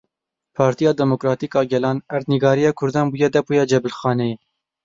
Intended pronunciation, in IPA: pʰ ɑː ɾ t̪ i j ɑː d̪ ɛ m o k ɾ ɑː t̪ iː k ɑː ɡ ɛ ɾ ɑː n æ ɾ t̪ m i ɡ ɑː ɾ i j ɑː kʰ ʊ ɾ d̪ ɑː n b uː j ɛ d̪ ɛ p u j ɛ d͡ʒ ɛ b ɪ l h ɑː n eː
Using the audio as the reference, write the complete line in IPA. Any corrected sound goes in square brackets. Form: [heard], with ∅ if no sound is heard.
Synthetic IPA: pʰ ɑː ɾ t̪ i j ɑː d̪ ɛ m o k ɾ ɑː t̪ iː k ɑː ɡ ɛ [l] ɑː n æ ɾ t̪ [n] i ɡ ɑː ɾ i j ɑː kʰ ʊ ɾ d̪ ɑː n b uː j ɛ d̪ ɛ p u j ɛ d͡ʒ ɛ b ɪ l [x] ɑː n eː